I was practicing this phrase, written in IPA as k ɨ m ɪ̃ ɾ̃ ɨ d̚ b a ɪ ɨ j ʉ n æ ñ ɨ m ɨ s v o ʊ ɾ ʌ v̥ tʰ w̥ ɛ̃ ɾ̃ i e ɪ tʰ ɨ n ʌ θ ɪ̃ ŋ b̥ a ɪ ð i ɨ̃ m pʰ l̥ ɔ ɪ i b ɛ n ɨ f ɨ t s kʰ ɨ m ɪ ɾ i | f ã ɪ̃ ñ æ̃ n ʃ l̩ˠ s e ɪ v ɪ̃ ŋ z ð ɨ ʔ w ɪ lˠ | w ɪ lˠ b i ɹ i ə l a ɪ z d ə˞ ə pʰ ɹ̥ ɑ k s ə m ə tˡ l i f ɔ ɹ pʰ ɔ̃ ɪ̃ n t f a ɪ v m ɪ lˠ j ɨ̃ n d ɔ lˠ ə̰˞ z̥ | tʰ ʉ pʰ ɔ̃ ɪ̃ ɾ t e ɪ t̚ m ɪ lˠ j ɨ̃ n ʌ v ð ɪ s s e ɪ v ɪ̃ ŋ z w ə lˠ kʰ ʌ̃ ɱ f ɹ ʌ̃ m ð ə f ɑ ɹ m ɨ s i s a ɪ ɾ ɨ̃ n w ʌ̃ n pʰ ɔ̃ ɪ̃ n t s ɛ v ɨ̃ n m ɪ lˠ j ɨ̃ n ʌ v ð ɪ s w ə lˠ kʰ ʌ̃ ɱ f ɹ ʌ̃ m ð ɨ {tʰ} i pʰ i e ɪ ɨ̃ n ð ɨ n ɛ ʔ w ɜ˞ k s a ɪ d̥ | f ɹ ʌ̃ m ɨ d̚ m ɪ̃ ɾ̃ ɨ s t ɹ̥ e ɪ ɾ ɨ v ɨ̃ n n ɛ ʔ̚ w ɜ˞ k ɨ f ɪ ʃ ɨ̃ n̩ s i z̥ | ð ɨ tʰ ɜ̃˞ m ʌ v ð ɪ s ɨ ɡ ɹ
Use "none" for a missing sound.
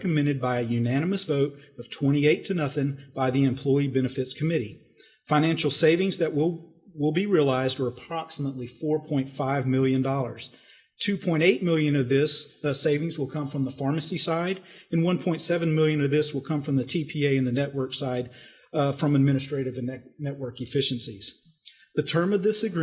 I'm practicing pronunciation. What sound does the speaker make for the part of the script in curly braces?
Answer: tʰ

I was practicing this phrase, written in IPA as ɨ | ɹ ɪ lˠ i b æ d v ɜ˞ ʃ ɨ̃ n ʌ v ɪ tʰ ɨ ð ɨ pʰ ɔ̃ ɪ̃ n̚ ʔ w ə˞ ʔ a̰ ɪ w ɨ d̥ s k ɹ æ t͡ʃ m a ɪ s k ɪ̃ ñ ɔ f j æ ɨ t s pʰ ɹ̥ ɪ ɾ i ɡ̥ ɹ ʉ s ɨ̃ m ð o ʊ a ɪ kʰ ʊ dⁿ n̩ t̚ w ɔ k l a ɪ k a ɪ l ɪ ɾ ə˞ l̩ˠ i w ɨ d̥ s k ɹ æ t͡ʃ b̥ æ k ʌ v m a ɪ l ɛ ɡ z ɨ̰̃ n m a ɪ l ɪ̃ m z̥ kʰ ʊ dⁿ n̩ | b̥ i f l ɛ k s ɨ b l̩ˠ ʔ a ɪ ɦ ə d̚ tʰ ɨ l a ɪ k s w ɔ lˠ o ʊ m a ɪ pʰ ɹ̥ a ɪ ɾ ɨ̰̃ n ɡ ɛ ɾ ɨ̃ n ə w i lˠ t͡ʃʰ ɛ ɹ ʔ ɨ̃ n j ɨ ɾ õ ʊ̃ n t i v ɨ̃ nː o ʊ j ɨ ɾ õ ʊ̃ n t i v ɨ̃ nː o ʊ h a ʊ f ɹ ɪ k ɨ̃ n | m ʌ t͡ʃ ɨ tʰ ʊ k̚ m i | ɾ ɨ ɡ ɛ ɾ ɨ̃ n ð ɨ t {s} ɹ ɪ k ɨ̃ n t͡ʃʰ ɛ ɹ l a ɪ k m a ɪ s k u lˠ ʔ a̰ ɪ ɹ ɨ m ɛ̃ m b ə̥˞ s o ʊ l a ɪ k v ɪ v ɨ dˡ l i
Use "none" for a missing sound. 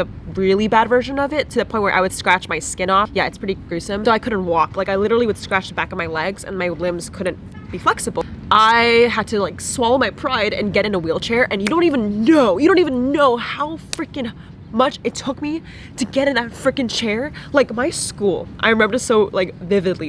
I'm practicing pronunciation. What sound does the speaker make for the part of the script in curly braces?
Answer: f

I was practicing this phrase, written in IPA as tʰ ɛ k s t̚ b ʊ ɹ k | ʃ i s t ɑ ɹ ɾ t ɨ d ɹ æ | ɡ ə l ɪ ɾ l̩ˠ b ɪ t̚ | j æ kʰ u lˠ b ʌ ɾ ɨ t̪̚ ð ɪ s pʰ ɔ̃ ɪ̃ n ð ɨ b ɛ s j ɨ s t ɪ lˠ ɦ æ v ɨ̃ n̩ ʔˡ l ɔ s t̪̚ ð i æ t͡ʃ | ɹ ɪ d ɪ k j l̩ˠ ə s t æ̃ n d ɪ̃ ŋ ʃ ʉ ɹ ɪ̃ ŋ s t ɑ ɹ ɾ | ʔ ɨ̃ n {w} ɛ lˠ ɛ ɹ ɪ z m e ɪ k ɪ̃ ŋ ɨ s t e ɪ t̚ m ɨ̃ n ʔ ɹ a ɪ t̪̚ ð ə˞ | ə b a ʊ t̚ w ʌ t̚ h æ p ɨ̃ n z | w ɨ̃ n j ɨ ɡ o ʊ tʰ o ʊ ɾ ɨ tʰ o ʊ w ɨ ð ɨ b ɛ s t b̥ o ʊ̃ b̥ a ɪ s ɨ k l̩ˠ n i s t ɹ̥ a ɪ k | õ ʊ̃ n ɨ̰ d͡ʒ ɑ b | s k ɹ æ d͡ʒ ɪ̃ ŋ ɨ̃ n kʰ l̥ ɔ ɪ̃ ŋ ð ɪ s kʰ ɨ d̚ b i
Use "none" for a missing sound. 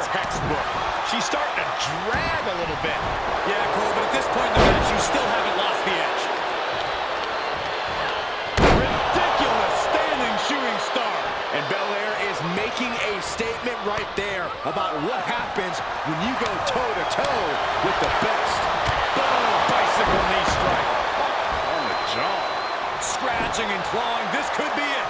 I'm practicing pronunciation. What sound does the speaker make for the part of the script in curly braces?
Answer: b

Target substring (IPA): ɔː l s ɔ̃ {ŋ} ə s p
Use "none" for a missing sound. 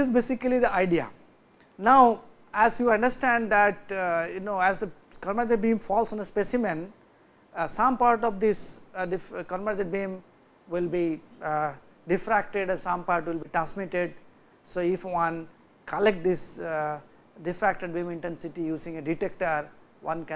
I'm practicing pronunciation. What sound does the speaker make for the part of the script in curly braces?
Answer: n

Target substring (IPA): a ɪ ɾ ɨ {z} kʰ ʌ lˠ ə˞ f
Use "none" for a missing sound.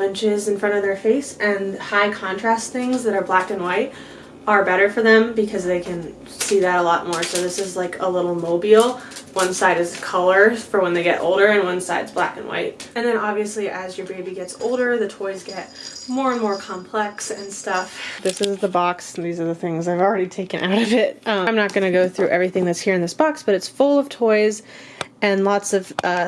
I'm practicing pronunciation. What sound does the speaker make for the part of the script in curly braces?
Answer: z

